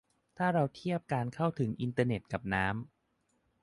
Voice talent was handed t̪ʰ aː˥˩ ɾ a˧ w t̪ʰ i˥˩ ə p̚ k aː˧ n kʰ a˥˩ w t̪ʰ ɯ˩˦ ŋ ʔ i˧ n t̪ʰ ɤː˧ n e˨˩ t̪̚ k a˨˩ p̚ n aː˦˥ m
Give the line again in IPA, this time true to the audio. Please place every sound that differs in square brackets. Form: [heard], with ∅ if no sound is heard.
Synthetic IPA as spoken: t̪ʰ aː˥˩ ɾ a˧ w t̪ʰ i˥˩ ə p̚ k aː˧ n kʰ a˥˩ w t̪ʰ ɯ˩˦ ŋ ʔ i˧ n [t̪] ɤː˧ n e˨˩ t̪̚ k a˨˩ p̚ n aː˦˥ m